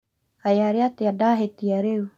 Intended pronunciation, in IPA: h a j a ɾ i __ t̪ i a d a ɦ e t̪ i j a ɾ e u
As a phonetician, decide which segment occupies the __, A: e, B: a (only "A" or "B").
B